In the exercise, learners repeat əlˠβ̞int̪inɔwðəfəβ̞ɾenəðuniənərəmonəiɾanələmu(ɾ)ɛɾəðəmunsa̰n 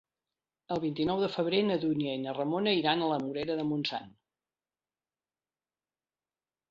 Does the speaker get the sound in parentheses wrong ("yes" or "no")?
no